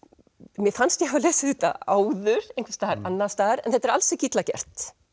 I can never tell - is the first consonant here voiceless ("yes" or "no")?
no